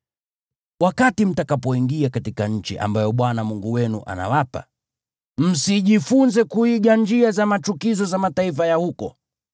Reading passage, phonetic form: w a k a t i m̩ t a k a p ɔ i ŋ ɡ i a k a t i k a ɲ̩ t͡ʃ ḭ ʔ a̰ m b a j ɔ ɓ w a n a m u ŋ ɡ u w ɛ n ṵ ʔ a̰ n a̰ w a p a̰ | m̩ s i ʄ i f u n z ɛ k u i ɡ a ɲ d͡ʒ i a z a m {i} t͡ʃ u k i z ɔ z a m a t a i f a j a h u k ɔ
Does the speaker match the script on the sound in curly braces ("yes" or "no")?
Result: no